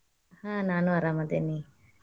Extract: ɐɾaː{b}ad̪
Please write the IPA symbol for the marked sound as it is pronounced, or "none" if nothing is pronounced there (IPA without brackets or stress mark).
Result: m